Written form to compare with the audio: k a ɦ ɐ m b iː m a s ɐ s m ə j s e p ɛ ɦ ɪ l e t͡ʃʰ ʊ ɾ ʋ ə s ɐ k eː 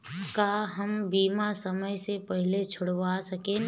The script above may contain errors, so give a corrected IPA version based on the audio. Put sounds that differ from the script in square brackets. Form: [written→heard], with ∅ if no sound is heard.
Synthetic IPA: k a ɦ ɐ m b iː m a s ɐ [s→∅] m ə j s e p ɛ ɦ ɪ l e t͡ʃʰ ʊ [ɾ→ɽ] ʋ [ə→a] s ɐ k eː

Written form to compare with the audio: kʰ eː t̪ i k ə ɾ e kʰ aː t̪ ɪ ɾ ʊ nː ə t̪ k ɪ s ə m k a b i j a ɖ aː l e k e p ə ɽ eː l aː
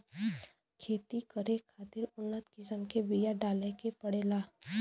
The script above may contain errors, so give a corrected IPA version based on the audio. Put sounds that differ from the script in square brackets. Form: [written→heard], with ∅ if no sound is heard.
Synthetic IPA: kʰ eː t̪ i k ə ɾ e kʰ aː t̪ ɪ ɾ ʊ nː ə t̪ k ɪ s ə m k [a→e] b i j a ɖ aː l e k e p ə ɽ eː l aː

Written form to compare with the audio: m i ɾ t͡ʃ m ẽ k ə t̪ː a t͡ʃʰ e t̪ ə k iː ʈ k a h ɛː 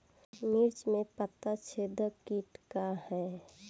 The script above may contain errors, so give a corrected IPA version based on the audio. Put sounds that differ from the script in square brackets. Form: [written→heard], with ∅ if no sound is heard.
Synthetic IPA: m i ɾ t͡ʃ m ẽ [k→p] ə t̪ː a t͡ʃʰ e [t̪→d̪] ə k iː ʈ k a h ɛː

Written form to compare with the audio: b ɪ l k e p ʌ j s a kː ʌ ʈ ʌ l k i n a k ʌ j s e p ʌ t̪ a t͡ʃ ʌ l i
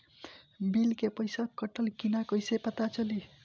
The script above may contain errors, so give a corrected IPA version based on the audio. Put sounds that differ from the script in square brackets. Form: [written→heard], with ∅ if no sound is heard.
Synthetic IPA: b [ɪ→i] l k e p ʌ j s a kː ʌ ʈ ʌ l k i n a k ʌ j s e p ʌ t̪ a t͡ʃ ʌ l i

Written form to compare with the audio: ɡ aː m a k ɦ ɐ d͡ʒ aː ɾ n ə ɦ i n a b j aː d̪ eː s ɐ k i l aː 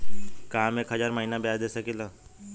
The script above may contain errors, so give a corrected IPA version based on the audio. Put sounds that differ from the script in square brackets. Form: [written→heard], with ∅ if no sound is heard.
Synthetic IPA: [ɡ→k] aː m [a→e] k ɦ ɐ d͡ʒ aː ɾ [n→m] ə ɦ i n a b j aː d̪ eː s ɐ k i l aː

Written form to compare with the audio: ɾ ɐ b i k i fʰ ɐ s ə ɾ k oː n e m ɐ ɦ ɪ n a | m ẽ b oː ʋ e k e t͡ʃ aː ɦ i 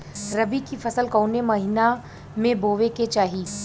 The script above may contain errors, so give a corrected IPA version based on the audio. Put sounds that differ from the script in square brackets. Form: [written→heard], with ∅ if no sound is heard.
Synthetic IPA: ɾ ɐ b i k i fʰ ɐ s ə [ɾ→l] k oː n e m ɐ ɦ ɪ n a | m ẽ b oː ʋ e k e t͡ʃ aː ɦ i

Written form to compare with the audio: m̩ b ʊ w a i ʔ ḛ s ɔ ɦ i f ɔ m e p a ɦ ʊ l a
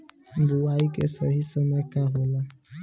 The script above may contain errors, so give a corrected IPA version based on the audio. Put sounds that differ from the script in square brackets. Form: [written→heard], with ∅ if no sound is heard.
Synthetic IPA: m̩ b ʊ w a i [ʔ→k] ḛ s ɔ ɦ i [f→s] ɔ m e [p→k] a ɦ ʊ l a

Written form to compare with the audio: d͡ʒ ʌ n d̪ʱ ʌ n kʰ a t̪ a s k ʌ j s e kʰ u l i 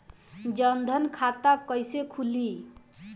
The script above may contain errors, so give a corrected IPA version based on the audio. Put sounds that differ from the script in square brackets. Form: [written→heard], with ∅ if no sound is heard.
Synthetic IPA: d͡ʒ ʌ n d̪ʱ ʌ n kʰ a t̪ a [s→∅] k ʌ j s e kʰ u l i

